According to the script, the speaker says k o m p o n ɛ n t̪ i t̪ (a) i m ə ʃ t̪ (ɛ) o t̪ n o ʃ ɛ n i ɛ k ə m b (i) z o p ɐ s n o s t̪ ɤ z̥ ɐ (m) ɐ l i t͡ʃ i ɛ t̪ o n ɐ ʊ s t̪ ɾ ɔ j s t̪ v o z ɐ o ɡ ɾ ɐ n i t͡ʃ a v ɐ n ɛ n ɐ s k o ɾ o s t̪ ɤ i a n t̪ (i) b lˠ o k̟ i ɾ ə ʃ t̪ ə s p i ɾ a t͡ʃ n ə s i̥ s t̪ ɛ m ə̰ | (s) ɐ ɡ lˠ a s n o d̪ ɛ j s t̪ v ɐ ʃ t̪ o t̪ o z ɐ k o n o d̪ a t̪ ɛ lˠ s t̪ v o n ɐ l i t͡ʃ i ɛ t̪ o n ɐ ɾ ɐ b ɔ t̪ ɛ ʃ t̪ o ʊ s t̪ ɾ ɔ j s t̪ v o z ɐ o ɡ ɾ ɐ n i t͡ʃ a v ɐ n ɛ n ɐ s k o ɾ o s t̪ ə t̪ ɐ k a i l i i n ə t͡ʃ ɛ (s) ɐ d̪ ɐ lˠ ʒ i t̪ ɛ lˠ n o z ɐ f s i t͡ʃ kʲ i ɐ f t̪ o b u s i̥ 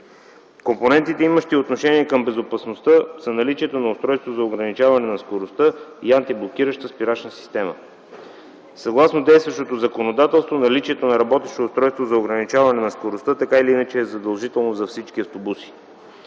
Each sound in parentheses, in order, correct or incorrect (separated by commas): incorrect, incorrect, incorrect, incorrect, correct, correct, incorrect